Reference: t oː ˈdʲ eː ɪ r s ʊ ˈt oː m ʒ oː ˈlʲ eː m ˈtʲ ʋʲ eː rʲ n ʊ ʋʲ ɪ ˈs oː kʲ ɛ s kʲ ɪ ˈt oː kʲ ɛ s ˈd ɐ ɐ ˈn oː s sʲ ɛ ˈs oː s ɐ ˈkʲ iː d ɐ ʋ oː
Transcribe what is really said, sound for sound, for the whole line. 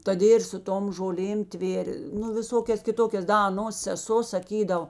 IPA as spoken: t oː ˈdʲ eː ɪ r s ʊ ˈt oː m ʒ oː ˈlʲ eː m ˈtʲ ʋʲ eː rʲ n ʊ ʋʲ ɪ ˈs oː kʲ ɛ s kʲ ɪ ˈt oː kʲ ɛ s ˈd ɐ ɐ ˈn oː s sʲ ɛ ˈs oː s ɐ ˈkʲ iː d ɐ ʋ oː